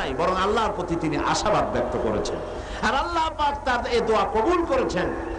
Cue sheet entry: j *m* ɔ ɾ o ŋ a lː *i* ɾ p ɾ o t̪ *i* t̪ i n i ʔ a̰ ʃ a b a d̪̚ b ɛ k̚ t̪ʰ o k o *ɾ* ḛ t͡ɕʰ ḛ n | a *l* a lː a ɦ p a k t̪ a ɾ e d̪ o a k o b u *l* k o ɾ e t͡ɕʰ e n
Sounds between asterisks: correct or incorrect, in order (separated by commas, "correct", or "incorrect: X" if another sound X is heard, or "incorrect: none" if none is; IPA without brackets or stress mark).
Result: incorrect: b, incorrect: a, correct, correct, incorrect: ɾ, correct